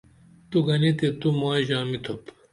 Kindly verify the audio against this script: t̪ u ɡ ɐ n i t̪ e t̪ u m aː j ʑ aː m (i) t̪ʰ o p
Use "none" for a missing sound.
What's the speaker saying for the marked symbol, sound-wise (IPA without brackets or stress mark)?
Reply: i